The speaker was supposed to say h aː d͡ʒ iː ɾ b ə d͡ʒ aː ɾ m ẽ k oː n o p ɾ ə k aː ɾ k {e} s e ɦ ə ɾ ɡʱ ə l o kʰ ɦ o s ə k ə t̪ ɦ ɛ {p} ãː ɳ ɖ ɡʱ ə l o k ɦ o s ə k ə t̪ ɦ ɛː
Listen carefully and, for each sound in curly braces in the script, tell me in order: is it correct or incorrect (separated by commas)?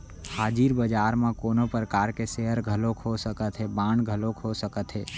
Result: correct, incorrect